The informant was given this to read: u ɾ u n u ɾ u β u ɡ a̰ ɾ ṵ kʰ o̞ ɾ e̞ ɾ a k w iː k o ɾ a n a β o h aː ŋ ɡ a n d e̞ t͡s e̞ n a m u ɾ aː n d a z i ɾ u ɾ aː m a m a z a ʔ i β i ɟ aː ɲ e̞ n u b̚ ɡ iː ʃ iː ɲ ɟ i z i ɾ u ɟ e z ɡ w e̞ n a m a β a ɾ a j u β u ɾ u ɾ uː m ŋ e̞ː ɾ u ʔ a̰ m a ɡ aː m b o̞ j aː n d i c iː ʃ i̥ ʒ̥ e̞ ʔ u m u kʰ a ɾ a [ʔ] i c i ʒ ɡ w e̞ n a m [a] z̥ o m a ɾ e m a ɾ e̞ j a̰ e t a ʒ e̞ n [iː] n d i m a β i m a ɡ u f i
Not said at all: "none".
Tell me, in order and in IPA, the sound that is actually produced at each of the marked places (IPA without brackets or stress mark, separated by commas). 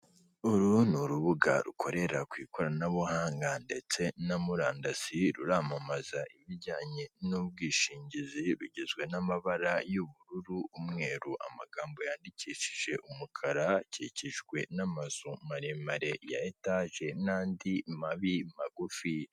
c, a, aː